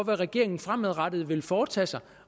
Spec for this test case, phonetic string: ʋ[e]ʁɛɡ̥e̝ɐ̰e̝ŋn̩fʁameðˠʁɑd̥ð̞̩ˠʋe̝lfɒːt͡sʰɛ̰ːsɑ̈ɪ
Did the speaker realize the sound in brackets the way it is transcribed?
no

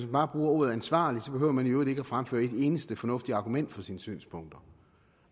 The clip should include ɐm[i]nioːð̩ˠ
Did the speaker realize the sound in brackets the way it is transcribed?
no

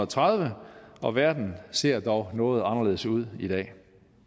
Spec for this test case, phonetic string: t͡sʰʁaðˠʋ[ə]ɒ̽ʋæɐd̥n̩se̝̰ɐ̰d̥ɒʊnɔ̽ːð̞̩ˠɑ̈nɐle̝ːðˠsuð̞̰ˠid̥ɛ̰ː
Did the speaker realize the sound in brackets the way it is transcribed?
yes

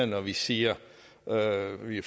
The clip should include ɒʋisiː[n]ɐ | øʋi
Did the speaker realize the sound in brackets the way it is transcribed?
no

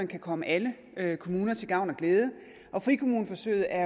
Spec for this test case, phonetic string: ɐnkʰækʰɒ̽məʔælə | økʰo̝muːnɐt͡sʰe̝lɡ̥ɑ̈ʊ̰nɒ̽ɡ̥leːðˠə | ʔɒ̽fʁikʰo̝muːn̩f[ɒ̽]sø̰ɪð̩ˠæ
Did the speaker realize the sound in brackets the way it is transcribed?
yes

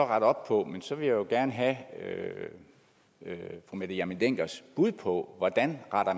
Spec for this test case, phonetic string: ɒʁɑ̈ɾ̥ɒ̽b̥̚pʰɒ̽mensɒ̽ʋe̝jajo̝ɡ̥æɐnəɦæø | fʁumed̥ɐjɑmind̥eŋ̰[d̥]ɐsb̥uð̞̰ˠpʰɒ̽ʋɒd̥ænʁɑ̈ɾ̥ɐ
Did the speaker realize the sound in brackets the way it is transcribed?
no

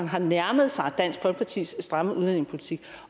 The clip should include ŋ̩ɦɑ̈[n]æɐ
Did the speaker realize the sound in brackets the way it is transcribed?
yes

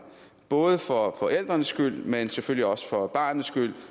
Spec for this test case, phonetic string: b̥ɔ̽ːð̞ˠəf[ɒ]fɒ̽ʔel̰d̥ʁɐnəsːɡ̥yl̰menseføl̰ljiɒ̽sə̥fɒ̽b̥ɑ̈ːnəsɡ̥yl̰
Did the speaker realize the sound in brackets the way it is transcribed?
yes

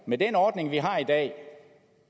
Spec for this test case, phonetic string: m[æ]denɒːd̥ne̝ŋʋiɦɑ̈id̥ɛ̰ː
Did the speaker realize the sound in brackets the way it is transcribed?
no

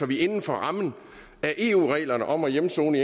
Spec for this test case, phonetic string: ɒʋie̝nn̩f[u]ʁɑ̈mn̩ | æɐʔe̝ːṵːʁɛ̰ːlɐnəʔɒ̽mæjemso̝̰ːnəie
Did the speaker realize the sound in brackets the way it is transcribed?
no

